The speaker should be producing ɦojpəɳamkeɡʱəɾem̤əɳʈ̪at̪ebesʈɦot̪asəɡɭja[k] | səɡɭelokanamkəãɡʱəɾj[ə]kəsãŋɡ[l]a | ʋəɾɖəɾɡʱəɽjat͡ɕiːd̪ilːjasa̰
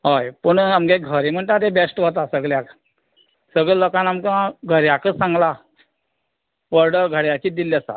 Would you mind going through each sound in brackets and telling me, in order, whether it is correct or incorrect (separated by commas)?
correct, incorrect, correct